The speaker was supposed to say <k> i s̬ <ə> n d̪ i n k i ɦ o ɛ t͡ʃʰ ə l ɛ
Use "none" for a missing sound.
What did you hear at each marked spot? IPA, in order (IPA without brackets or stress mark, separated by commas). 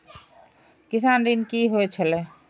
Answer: k, a